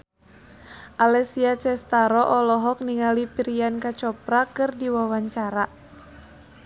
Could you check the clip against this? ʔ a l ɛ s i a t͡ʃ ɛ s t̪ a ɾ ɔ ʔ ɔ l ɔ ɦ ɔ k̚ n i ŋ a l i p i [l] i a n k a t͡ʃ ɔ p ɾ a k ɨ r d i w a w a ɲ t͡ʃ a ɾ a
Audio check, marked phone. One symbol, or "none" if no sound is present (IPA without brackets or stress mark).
ɾ